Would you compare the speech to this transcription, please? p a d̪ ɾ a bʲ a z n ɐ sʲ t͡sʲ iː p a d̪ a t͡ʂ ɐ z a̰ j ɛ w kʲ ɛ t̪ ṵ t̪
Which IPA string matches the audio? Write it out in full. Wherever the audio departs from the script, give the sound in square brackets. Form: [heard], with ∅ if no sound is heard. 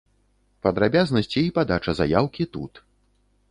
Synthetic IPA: p [ɐ] d̪ ɾ a bʲ a z n ɐ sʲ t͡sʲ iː p a d̪ a t͡ʂ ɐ z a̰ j [a] w kʲ [i] t̪ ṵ t̪

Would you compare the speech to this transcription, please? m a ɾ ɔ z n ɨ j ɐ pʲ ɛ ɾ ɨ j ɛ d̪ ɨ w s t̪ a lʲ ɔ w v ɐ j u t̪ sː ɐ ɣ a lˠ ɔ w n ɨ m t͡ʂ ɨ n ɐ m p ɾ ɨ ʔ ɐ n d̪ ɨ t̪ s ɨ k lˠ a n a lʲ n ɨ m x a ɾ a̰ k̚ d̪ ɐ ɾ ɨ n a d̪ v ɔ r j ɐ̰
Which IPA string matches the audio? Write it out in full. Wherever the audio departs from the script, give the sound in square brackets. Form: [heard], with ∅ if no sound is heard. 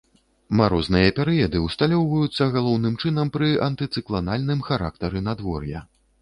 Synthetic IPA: m a ɾ ɔ z n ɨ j ɐ pʲ ɛ ɾ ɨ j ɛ d̪ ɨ w s t̪ a lʲ ɔ w v ɐ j u t̪ sː ɐ ɣ a lˠ ɔ w n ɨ m t͡ʂ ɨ n ɐ m p ɾ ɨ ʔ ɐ n [t̪] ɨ t̪ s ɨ k lˠ a n a lʲ n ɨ m x a ɾ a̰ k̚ [t̪] ɐ ɾ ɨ n a d̪ v ɔ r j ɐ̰

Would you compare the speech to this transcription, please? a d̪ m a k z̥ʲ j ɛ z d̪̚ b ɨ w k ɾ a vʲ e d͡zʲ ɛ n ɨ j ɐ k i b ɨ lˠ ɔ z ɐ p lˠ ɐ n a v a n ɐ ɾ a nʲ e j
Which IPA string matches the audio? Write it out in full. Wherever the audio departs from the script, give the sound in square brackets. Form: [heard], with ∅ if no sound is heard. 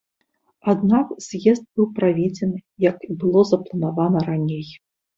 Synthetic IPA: a d̪ [n] a k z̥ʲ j ɛ z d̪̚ b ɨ w [p] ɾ a vʲ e d͡zʲ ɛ n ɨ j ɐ k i b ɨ lˠ ɔ z ɐ p lˠ ɐ n a v a n ɐ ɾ a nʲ e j

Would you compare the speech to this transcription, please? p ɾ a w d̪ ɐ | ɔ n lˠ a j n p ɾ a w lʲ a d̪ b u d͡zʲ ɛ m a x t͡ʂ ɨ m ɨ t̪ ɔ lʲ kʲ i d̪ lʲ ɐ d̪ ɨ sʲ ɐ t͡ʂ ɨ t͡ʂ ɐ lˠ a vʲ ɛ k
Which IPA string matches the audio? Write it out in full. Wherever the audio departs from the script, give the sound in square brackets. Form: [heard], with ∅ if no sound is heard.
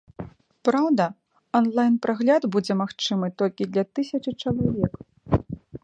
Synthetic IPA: p ɾ a w d̪ ɐ | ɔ n lˠ a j n p ɾ a [ɣ] lʲ a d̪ b u d͡zʲ ɛ m a x t͡ʂ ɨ m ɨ t̪ ɔ lʲ kʲ i d̪ lʲ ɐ [t̪] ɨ sʲ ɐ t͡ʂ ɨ t͡ʂ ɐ lˠ a vʲ ɛ k

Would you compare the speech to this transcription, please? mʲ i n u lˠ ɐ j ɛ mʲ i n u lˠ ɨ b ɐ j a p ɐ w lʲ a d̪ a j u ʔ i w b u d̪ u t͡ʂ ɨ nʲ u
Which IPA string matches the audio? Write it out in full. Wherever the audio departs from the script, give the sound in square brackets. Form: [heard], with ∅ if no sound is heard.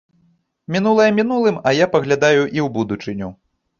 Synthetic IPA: mʲ i n u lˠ ɐ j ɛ mʲ i n u lˠ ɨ [m] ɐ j a p ɐ [ɣ] lʲ a d̪ a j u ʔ i w b u d̪ u t͡ʂ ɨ nʲ u

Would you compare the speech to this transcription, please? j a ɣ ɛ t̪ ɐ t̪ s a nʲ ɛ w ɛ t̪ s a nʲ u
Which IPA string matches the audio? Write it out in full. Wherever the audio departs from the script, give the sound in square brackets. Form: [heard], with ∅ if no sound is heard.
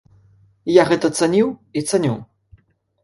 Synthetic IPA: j a ɣ ɛ t̪ ɐ t̪ s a nʲ [i] w [i] t̪ s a nʲ u

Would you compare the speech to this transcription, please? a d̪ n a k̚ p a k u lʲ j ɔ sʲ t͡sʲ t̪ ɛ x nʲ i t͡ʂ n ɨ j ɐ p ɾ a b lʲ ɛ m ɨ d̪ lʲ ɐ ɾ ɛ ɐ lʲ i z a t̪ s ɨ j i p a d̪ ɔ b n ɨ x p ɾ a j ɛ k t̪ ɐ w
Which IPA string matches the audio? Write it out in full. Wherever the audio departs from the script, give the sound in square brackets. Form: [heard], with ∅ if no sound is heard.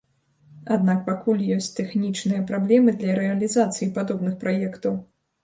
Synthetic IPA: a d̪ n a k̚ p a k u lʲ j ɔ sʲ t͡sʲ t̪ ɛ x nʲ i t͡ʂ n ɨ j ɐ p ɾ a b lʲ ɛ m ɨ d̪ lʲ ɐ ɾ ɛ ɐ lʲ i z a t̪ s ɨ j i p a d̪ ɔ b n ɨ x p ɾ a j ɛ k t̪ ɐ w

